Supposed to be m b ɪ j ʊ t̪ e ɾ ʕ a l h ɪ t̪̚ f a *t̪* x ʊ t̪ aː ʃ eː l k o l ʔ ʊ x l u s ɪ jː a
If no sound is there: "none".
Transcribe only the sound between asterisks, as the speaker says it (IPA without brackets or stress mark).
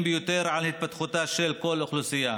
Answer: t̪